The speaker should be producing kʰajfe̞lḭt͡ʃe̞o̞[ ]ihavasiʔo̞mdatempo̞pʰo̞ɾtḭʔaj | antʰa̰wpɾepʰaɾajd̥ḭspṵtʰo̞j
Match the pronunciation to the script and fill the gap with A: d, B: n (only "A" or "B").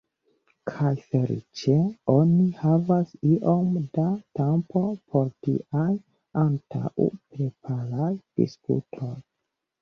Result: B